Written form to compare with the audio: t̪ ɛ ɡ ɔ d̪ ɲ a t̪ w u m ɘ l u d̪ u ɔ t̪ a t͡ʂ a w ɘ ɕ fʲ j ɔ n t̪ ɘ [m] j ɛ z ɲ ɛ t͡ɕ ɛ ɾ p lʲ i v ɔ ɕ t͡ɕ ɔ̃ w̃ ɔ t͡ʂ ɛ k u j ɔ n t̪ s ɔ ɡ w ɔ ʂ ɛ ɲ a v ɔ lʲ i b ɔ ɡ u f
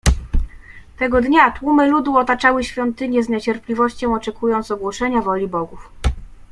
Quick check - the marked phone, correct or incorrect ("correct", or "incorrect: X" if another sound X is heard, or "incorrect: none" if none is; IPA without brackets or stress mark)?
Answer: incorrect: ɲ